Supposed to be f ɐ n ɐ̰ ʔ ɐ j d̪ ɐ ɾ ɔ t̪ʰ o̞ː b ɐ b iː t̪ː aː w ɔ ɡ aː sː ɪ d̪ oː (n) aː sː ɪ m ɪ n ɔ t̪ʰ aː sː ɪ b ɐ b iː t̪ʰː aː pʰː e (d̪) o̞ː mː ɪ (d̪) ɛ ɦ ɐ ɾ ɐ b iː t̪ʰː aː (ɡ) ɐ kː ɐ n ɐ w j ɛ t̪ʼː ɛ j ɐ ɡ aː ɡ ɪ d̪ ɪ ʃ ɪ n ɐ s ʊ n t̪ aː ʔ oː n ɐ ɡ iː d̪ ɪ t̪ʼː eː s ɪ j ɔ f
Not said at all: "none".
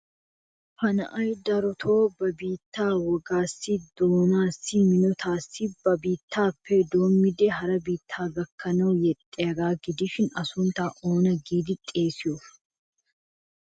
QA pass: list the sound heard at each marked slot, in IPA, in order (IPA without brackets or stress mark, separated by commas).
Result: n, d̪, d̪, ɡ